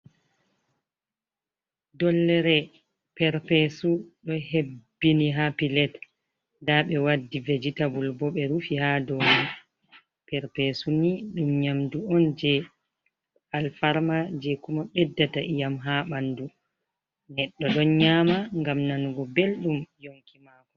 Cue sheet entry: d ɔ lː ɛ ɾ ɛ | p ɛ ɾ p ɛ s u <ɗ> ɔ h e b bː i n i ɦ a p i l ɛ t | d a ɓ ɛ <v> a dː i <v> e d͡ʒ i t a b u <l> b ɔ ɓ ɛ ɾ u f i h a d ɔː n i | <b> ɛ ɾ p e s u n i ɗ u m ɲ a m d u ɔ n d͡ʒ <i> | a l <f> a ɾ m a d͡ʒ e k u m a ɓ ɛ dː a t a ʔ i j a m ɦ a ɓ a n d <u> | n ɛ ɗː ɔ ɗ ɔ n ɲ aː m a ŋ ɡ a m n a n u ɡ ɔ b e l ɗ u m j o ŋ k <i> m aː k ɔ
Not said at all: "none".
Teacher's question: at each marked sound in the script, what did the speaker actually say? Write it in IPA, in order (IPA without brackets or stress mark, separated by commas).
ɗ, w, v, l, p, ɛ, f, u, i